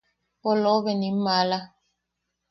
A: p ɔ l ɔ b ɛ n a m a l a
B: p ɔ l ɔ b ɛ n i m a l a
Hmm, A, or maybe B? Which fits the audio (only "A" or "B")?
B